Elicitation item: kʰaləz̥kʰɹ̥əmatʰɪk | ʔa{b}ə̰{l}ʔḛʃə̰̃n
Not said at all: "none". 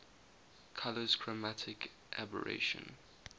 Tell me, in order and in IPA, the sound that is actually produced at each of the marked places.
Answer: b, ɹ

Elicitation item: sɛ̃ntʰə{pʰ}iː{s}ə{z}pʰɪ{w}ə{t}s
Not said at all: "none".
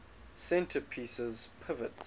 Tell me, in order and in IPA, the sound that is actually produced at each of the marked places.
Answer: pʰ, s, z, v, t

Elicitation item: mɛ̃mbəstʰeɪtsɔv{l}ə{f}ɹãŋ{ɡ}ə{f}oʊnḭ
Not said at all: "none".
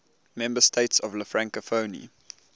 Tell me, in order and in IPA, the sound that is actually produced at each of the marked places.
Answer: l, f, k, f

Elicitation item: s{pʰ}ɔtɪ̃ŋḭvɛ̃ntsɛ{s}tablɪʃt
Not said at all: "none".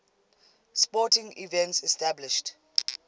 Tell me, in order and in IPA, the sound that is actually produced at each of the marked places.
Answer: p, s

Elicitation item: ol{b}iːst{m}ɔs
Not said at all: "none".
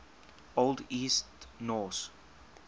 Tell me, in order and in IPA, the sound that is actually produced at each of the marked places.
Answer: d, n

